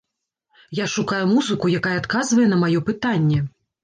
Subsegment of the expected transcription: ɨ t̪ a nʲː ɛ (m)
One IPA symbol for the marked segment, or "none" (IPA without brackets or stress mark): none